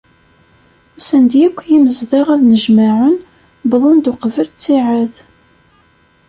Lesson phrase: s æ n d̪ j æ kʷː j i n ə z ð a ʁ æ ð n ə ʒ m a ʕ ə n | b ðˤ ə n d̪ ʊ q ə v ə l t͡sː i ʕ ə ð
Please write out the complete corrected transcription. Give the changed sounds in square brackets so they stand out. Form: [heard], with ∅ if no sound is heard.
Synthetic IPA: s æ n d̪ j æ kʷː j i [m] ə z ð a ʁ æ ð n ə ʒ m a ʕ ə n | b ðˤ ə n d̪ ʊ q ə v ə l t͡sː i ʕ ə ð